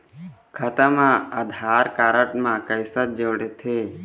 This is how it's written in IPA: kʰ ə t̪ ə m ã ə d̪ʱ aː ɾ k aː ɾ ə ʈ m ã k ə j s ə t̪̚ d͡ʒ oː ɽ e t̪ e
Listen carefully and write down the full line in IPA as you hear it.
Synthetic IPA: kʰ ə t̪ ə m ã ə d̪ʱ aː ɾ k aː ɾ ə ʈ m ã k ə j s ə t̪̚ d͡ʒ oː ɽ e t̪ʰ e